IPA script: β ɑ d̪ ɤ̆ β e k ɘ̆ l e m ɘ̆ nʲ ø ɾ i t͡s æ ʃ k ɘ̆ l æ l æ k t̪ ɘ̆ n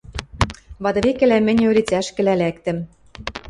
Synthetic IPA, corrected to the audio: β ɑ d̪ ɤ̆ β e k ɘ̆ l æ m ɘ̆ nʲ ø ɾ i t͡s æ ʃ k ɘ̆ l æ l æ k t̪ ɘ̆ m